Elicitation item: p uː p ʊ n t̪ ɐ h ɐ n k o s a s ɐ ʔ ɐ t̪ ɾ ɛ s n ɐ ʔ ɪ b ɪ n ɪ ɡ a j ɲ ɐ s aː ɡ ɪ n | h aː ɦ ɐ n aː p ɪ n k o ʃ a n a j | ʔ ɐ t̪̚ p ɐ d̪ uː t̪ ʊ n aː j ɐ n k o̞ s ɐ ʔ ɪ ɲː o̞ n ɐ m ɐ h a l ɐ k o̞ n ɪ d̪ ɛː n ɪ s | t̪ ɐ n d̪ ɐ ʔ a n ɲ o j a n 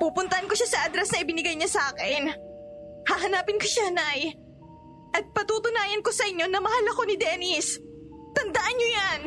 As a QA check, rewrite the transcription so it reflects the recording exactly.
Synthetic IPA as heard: p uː p ʊ n t̪ ɐ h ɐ n k o ʃ a s ɐ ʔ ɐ d̪ ɾ ɛ s n ɐ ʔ ɪ b ɪ n ɪ ɡ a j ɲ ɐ s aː k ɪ n | h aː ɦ ɐ n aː p ɪ n k o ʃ a n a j | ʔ ɐ t̪̚ p ɐ t̪ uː t̪ ʊ n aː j ɐ n k o̞ s ɐ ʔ ɪ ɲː o̞ n ɐ m ɐ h a l ɐ k o̞ n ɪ d̪ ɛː n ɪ s | t̪ ɐ n d̪ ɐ ʔ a n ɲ o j a n